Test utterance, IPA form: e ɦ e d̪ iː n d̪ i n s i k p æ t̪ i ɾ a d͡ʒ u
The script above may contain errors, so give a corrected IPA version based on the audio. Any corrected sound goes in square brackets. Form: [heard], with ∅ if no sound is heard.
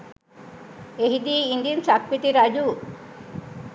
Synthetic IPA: e ɦ [i] d̪ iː n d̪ i n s [a] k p [i] t̪ i ɾ a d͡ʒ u